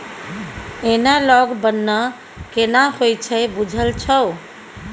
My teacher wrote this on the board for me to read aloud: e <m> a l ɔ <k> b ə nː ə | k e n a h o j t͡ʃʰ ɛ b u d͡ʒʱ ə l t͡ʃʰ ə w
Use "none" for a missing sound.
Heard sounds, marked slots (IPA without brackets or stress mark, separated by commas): n, ɡ